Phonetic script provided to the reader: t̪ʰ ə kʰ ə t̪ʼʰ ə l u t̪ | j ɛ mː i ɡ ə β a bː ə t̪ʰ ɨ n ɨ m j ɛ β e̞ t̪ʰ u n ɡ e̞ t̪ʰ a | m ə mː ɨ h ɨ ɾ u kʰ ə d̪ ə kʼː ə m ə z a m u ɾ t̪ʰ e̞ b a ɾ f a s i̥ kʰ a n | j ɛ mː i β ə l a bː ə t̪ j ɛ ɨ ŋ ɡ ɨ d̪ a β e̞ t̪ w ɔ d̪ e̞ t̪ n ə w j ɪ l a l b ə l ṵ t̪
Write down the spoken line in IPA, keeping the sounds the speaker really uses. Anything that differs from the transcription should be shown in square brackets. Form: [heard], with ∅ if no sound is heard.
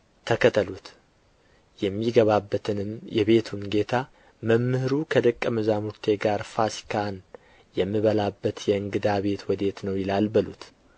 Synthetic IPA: t̪ʰ ə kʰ ə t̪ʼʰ ə l u t̪ | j ɛ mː i ɡ ə β a bː ə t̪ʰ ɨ n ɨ m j ɛ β e̞ t̪ʰ u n ɡ e̞ t̪ʰ a | m ə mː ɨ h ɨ ɾ u kʰ ə d̪ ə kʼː ə m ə z a m u ɾ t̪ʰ e̞ [ɡ] a ɾ f a s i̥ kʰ a n | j ɛ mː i β ə l a bː ə t̪ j ɛ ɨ ŋ ɡ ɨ d̪ a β e̞ t̪ w ɔ d̪ e̞ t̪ n ə w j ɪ l a l b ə l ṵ t̪